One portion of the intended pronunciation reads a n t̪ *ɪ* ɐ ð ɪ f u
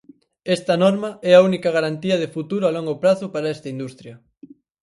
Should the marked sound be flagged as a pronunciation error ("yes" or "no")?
yes